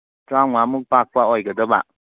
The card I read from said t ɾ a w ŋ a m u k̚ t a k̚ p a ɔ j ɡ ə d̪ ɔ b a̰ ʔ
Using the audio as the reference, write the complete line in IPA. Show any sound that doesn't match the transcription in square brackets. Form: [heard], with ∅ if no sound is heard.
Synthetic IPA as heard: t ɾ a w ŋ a m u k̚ [p] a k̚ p a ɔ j ɡ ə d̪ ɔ b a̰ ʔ